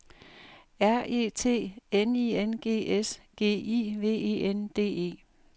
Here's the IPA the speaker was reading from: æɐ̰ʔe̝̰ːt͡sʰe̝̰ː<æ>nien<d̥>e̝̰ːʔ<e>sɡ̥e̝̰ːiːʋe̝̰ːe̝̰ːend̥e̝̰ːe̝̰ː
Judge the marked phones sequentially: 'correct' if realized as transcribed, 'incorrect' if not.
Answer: incorrect: e, incorrect: ɡ̥, correct

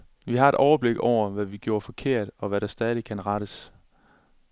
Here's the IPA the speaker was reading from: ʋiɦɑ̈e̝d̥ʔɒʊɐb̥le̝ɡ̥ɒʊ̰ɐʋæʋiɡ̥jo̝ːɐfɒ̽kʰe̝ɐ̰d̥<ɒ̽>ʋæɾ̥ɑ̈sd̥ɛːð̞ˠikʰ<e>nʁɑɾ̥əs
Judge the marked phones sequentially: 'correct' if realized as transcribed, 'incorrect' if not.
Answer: correct, incorrect: æ

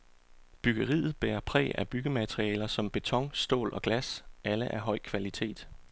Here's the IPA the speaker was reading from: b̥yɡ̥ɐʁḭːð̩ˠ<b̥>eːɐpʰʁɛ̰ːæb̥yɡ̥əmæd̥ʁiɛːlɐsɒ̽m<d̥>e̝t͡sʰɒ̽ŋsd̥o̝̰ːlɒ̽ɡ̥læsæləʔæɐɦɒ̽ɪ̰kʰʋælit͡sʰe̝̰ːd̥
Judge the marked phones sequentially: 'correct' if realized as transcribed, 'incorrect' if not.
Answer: correct, incorrect: b̥

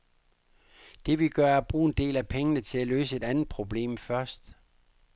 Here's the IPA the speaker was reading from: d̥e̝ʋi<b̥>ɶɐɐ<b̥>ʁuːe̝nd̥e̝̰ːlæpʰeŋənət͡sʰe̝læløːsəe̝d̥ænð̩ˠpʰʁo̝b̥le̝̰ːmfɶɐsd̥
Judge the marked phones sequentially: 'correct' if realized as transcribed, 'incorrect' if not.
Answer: incorrect: ɡ̥, correct

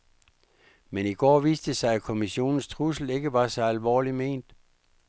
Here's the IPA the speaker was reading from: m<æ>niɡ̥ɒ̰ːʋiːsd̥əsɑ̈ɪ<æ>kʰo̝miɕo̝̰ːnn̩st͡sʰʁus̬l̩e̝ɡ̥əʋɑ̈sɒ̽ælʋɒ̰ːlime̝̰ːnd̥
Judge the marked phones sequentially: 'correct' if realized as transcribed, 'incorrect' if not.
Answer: incorrect: e, correct

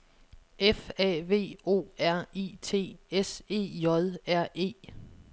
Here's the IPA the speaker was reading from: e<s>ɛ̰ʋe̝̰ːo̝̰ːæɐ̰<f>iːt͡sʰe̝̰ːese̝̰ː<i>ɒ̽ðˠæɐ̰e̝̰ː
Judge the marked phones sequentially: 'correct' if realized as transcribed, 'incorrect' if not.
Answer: incorrect: f, incorrect: none, incorrect: j

